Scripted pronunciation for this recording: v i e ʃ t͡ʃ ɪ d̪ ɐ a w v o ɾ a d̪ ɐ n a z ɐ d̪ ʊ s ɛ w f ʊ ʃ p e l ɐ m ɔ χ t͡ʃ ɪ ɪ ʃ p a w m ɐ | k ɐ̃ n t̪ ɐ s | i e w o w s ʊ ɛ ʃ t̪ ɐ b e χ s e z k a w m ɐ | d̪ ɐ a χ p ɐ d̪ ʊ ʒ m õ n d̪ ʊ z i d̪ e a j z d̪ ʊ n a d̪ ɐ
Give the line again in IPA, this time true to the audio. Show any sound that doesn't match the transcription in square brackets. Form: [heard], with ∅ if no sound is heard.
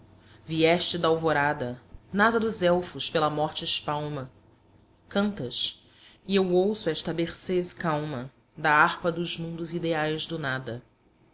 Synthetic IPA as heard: v i [ɛ] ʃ t͡ʃ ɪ d̪ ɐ a w v o ɾ a d̪ ɐ n a z ɐ d̪ ʊ [z] ɛ w f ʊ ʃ p e l ɐ m ɔ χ t͡ʃ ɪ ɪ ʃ p a w m ɐ | k ɐ̃ n t̪ ɐ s | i e w o w s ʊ ɛ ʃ t̪ ɐ b e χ s e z k a w m ɐ | d̪ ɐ a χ p ɐ d̪ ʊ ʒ m [ũ] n d̪ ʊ z i d̪ e a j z d̪ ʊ n a d̪ ɐ